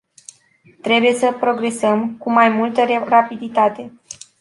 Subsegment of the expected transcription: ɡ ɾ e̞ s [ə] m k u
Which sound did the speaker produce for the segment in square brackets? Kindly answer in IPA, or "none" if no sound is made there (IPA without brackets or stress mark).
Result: ə